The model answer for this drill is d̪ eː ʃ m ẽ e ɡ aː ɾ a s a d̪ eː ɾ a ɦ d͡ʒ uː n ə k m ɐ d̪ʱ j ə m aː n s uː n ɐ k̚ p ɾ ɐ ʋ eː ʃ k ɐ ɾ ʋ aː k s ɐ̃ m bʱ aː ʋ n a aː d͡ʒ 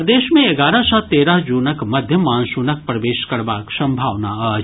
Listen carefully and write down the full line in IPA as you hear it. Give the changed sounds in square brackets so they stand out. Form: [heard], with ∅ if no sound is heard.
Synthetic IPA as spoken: d̪ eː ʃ m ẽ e ɡ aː ɾ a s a [t̪] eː ɾ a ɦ d͡ʒ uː n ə k m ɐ d̪ʱ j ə m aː n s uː n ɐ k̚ p ɾ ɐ ʋ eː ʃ k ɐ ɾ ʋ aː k s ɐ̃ m bʱ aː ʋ n a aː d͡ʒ